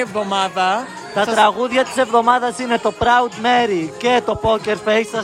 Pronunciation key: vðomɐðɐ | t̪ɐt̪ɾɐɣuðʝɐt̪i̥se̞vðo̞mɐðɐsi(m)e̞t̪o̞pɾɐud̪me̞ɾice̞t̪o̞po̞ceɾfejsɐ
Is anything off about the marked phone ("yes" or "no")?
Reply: yes